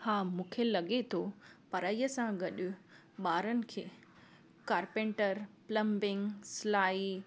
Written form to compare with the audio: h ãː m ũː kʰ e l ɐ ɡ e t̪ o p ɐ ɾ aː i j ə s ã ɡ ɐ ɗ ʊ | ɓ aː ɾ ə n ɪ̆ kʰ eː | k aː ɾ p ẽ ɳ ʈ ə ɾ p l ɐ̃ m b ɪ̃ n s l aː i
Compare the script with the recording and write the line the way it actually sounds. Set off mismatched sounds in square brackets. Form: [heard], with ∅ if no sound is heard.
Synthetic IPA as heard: h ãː m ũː kʰ e l ɐ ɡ e [t̪ʰ] o p ɐ ɾ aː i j ə s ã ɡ ɐ ɗ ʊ | ɓ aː ɾ ə n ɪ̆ kʰ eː | k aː ɾ p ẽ ɳ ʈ ə ɾ p l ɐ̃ m b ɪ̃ [ŋ] s l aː i